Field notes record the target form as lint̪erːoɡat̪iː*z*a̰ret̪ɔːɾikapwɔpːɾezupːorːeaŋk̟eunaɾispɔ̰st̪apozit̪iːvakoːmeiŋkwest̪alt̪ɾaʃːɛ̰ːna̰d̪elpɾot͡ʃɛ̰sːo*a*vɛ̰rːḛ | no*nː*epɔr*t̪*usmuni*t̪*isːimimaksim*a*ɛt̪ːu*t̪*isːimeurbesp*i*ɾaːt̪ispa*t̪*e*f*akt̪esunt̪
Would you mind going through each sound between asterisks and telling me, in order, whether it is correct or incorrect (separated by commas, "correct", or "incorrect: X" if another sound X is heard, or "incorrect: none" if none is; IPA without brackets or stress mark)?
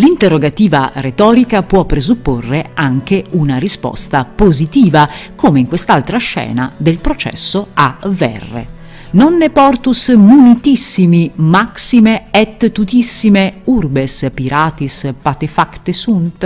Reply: incorrect: v, correct, correct, correct, correct, incorrect: e, correct, correct, correct, correct